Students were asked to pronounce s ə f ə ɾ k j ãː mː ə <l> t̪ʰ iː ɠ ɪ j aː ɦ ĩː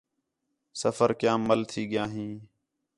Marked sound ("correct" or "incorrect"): correct